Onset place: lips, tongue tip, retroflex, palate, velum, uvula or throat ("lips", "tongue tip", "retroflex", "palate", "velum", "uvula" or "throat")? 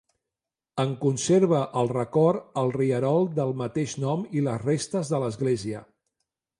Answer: velum